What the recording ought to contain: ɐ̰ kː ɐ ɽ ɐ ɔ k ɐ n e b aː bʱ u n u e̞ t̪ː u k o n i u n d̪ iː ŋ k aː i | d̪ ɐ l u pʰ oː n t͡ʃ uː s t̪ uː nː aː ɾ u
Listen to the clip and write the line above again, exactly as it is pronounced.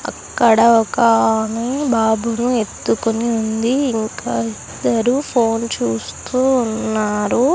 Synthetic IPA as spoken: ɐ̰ kː ɐ ɽ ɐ ɔ k ɐ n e b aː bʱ u n u e̞ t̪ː u k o n i u n d̪ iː ŋ k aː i | d̪ ɐ ɾ u pʰ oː n t͡ʃ uː s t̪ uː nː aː ɾ u